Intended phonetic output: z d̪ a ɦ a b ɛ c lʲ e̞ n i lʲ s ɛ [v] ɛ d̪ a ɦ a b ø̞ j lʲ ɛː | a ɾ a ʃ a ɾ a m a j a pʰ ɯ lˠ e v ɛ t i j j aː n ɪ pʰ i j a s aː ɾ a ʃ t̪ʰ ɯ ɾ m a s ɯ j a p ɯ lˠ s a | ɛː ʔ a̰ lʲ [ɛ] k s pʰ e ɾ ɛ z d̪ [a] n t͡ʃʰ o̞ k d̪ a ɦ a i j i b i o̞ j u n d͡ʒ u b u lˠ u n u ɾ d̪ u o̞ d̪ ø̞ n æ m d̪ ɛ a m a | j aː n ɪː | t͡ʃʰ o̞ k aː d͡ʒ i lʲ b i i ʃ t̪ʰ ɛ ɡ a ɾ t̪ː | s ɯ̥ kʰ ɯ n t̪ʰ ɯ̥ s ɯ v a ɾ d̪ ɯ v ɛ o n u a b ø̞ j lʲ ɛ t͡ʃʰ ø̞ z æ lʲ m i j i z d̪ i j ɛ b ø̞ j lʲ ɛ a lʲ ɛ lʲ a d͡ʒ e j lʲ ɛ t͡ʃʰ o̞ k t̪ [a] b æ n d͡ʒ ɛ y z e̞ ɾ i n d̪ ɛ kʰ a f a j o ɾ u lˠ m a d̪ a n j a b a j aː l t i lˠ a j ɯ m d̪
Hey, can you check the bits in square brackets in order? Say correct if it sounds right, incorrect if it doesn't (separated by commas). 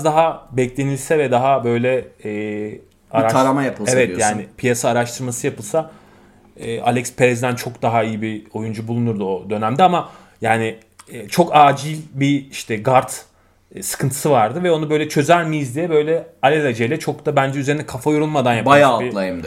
correct, correct, incorrect, correct